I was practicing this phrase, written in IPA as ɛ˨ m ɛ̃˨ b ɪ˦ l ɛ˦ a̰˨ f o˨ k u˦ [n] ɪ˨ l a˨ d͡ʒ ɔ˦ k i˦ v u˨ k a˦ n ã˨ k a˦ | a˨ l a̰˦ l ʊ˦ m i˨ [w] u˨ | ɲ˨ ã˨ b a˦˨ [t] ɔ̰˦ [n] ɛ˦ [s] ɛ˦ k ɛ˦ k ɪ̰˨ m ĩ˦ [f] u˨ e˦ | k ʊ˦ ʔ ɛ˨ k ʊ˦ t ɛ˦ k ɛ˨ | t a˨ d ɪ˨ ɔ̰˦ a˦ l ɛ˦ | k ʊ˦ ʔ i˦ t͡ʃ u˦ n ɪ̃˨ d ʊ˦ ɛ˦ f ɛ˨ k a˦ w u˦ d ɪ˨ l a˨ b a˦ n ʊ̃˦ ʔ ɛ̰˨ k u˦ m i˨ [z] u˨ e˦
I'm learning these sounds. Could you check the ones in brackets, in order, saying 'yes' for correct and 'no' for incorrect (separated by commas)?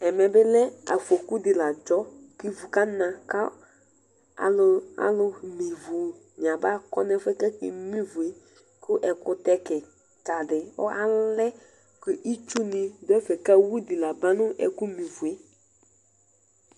no, no, no, yes, no, no, no